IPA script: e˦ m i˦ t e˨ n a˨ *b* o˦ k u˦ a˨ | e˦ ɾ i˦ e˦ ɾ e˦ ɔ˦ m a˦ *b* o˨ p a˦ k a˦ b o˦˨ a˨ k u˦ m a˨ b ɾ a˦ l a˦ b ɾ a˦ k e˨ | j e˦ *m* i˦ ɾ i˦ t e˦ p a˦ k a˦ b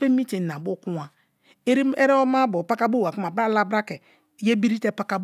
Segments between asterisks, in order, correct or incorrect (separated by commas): correct, correct, incorrect